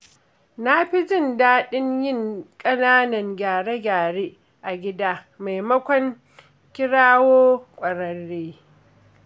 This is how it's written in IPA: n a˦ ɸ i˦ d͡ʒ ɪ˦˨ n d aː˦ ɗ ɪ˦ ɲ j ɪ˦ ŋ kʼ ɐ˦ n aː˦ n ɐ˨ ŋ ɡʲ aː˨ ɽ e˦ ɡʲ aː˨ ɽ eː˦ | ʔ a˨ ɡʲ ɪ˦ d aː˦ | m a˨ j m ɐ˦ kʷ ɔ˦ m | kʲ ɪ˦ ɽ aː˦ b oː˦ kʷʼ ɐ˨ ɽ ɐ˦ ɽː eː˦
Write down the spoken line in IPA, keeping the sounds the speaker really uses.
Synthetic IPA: n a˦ ɸ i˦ d͡ʒ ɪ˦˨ n d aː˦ ɗ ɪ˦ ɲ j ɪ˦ ŋ kʼ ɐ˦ n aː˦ n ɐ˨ ŋ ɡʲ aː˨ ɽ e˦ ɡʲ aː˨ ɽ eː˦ | ʔ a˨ ɡʲ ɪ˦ d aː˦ | m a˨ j m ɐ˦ kʷ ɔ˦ ŋ | kʲ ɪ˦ ɽ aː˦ w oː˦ kʷʼ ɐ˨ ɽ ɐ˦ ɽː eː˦